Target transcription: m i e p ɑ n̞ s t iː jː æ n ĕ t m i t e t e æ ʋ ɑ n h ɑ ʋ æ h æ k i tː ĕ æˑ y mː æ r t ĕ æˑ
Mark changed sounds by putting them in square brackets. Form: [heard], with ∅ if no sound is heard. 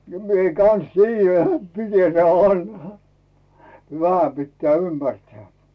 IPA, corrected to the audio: m i e [k] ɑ n̞ s t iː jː æ n ĕ t m i t e t e æ ʋ ɑ n h ɑ ʋ æ h æ [p] i tː ĕ æˑ y mː æ r t ĕ æˑ